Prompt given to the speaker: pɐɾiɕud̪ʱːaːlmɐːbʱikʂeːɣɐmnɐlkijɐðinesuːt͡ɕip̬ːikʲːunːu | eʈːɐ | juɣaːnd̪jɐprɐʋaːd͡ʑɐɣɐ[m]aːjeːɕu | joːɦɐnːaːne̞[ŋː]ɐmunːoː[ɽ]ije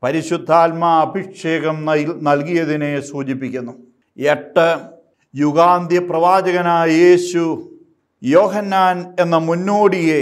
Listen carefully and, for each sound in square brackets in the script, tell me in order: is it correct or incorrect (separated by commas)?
incorrect, incorrect, correct